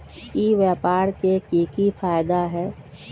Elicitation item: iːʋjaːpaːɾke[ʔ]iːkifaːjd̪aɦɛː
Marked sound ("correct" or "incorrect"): incorrect